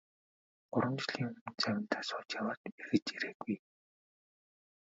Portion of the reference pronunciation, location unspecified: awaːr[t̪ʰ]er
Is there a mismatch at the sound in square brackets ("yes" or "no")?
yes